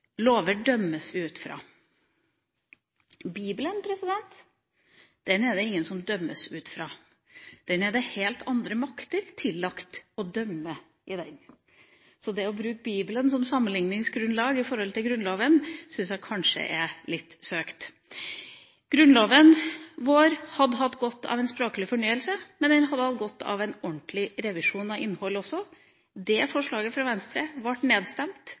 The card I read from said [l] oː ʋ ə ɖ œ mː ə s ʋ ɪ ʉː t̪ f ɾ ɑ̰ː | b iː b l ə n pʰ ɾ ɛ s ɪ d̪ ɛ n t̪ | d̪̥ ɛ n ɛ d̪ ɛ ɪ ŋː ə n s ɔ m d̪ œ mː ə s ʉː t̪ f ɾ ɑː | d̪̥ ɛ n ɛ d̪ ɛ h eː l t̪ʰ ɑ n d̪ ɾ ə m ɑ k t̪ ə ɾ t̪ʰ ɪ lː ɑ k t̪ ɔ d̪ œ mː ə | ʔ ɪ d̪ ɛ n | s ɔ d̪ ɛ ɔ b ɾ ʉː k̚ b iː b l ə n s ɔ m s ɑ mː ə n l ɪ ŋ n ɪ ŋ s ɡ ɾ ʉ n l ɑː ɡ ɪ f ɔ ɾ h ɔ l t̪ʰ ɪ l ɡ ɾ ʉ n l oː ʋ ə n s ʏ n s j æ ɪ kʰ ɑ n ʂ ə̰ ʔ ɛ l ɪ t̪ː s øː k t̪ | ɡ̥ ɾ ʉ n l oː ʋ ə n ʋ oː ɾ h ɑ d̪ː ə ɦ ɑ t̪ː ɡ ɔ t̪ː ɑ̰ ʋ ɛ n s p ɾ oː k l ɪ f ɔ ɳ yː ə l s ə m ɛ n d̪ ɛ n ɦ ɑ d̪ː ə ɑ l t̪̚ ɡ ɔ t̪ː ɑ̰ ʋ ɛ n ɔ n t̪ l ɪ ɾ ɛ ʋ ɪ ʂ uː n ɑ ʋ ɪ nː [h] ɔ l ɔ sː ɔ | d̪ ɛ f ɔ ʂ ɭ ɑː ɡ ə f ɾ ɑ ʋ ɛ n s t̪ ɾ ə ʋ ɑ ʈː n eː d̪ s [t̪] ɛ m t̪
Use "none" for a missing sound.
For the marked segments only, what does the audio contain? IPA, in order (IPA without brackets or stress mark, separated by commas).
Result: l, h, t̪